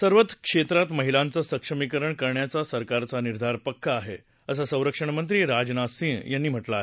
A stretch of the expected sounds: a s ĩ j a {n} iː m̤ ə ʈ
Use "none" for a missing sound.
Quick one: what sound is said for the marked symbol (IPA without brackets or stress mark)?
nː